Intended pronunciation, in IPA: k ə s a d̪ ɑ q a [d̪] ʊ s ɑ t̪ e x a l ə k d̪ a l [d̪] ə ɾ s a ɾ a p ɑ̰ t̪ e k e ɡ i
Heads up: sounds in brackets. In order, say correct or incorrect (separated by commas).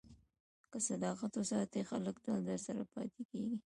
incorrect, correct